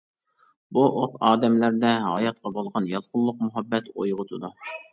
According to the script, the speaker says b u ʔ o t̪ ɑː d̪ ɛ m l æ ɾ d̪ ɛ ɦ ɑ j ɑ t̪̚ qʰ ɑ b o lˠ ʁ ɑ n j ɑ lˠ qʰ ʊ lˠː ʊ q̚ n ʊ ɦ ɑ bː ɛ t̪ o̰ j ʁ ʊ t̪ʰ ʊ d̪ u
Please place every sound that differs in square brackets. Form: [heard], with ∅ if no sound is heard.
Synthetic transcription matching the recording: b u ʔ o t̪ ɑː d̪ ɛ m l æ ɾ d̪ ɛ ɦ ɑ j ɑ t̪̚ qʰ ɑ b o lˠ ʁ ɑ n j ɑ lˠ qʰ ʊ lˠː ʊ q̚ [m] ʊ ɦ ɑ bː ɛ t̪ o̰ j ʁ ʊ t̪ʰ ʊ d̪ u